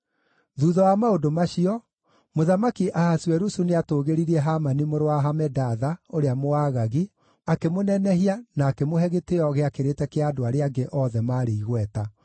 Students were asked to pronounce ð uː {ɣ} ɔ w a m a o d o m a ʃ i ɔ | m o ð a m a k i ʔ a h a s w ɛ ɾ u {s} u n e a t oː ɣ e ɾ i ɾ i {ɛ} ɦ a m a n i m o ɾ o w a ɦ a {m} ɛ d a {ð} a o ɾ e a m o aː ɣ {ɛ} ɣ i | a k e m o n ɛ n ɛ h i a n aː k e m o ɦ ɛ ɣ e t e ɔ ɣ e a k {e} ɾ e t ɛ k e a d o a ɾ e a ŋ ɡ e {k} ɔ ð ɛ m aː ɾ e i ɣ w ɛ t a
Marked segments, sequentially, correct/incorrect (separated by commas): incorrect, correct, correct, correct, correct, incorrect, correct, incorrect